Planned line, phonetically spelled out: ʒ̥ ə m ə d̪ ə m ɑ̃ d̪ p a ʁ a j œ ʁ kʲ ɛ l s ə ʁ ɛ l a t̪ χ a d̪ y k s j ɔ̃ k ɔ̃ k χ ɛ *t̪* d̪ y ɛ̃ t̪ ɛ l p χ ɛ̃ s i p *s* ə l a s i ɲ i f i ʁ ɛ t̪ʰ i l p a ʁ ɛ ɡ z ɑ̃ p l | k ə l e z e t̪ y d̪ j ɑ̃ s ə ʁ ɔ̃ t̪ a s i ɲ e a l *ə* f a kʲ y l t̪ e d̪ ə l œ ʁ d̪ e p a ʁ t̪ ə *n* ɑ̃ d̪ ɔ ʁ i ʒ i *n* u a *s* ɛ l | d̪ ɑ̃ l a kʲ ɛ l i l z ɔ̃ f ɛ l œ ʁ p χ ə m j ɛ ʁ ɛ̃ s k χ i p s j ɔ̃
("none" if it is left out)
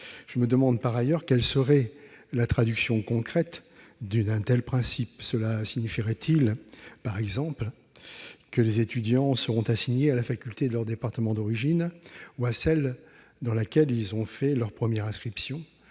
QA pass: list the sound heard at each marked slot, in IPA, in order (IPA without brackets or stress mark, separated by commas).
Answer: t̪, s, a, m, n, s